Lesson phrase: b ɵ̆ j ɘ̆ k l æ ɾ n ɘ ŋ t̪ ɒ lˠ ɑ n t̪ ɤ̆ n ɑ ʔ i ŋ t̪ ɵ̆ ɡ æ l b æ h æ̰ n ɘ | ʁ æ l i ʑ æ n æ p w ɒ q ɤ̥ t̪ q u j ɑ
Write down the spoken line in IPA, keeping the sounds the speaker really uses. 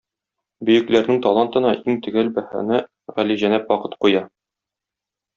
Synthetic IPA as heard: b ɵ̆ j ɘ̆ k l æ ɾ n ɘ ŋ t̪ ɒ lˠ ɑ n t̪ ɤ̆ n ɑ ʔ i ŋ t̪ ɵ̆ ɡ æ l b æ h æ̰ n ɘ | ʁ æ l i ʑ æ n æ p w ɒ q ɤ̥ t̪ q u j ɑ